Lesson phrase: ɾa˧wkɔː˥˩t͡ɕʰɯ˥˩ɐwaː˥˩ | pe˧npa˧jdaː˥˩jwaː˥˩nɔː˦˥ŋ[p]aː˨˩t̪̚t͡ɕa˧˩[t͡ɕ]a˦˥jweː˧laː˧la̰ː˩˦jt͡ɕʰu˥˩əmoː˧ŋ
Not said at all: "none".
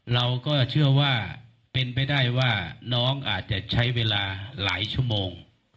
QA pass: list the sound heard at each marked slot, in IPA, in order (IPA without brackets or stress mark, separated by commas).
ʔ, t͡ɕʰ